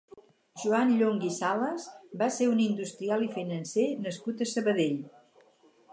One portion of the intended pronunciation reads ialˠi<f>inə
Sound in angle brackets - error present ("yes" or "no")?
no